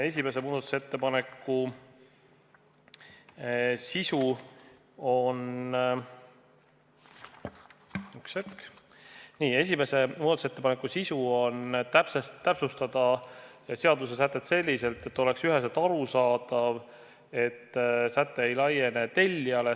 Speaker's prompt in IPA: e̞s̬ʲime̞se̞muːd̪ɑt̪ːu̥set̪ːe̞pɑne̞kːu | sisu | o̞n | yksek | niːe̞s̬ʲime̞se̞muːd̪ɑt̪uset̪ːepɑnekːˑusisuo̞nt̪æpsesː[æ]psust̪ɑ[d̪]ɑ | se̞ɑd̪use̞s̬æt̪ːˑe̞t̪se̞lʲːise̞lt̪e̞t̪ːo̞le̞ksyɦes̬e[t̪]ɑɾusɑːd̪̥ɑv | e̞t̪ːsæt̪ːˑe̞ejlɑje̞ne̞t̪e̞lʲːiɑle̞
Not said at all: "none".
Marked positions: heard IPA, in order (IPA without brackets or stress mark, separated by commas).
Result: æ, d̪, t̪